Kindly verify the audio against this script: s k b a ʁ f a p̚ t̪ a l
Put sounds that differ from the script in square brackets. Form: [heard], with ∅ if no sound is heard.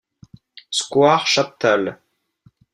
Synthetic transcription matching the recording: s k [w] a ʁ [ʃ] a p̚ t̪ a l